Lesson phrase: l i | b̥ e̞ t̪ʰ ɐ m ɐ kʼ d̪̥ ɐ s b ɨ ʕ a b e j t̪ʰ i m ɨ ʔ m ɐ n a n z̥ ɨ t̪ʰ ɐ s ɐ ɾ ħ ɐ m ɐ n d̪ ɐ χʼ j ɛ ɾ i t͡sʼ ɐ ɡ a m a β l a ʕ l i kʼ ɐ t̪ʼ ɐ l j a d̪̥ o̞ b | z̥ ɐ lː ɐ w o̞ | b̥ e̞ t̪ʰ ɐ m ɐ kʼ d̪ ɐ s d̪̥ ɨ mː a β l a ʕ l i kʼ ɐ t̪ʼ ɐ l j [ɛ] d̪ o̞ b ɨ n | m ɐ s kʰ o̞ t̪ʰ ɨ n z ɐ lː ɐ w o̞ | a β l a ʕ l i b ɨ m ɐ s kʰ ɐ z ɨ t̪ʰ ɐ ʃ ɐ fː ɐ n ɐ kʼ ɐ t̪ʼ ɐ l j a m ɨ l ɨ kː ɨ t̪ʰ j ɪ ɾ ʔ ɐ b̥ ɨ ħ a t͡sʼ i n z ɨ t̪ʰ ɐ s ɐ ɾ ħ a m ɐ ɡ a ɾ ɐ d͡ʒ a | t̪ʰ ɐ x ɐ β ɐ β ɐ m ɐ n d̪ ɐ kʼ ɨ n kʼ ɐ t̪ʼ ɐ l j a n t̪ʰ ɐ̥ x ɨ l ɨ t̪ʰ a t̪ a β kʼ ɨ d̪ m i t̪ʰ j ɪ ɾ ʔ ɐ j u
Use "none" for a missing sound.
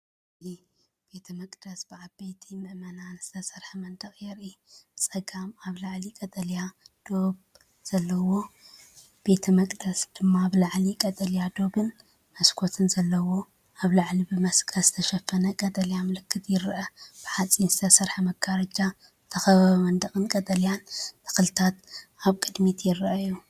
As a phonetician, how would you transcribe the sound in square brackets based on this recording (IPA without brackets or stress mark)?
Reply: a